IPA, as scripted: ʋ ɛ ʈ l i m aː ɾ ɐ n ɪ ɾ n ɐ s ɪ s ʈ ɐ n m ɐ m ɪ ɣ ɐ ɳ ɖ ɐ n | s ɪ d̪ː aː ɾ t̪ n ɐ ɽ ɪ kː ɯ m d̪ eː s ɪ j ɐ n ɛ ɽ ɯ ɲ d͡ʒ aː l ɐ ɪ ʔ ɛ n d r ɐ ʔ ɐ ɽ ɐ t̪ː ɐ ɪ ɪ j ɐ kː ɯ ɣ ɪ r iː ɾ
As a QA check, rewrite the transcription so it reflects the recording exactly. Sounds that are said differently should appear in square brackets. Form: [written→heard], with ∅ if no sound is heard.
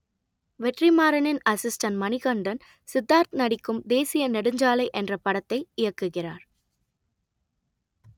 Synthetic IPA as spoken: ʋ ɛ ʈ [l→r] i m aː ɾ ɐ n ɪ [ɾ→∅] n ɐ s ɪ s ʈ ɐ n m ɐ [m→n] ɪ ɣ ɐ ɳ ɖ ɐ n | s ɪ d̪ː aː ɾ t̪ n ɐ ɽ ɪ kː ɯ m d̪ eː s ɪ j ɐ n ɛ ɽ ɯ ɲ d͡ʒ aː l ɐ ɪ ʔ ɛ n d r ɐ [ʔ→p] ɐ ɽ ɐ t̪ː ɐ ɪ ɪ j ɐ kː ɯ ɣ ɪ r [iː→aː] ɾ

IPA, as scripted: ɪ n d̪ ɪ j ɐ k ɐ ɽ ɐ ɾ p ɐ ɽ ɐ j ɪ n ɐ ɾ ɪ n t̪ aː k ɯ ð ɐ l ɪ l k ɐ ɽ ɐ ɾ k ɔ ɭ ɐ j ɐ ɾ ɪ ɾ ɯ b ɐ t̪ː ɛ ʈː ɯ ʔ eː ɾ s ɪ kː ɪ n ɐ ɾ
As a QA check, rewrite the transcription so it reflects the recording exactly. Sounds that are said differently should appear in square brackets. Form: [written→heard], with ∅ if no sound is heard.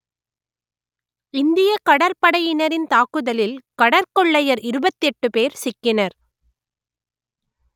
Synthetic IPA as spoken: ɪ n d̪ ɪ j ɐ k ɐ ɽ ɐ ɾ p ɐ ɽ ɐ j ɪ n ɐ ɾ ɪ n t̪ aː k ɯ ð ɐ l ɪ l k ɐ ɽ ɐ ɾ k ɔ [ɭ→ɭː] ɐ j ɐ ɾ ɪ ɾ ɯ b ɐ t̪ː ɛ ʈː ɯ [ʔ→p] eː ɾ s ɪ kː ɪ n ɐ ɾ

